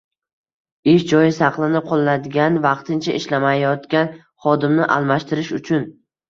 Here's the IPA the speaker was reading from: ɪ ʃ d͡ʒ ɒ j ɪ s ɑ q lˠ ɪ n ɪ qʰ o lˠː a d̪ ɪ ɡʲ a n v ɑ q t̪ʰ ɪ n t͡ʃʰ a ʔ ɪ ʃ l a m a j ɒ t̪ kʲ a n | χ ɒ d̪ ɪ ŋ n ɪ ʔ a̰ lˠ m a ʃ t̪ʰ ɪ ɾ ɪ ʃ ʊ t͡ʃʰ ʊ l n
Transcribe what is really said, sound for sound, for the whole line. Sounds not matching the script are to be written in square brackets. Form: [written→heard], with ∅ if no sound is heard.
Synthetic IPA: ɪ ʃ d͡ʒ ɒ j ɪ s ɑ q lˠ ɪ n ɪ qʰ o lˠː a d̪ ɪ ɡʲ a n v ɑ q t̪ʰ ɪ n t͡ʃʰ a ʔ ɪ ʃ l a m a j ɒ t̪ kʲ a n | χ ɒ d̪ ɪ [ŋ→m] n ɪ ʔ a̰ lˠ m a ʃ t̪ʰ ɪ ɾ ɪ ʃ ʊ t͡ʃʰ ʊ [l→∅] n